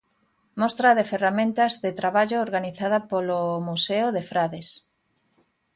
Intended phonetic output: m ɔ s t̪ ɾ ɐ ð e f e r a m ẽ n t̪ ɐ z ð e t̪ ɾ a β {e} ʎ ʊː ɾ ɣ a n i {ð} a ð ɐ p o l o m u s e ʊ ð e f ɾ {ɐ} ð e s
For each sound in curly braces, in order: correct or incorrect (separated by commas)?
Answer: incorrect, incorrect, incorrect